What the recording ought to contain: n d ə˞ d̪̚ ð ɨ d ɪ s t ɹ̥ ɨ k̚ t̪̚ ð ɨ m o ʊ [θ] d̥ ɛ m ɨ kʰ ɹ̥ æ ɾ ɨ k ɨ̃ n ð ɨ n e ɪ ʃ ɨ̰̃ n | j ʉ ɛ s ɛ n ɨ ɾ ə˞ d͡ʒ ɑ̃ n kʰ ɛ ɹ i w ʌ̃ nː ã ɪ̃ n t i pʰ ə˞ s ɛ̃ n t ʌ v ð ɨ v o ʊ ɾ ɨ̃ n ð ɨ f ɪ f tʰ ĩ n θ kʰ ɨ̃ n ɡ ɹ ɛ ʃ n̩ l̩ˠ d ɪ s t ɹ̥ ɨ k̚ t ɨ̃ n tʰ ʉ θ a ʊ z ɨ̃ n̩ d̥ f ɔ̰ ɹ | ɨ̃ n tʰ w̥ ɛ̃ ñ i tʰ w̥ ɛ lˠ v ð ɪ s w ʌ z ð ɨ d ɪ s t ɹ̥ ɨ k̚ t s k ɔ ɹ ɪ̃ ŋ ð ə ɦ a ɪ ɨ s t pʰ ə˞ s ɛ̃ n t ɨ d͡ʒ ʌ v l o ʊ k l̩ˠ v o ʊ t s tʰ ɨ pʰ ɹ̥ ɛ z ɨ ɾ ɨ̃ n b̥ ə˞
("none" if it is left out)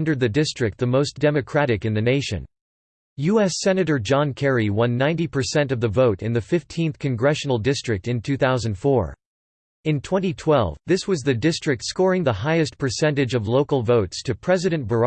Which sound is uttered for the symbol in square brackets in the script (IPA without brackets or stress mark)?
s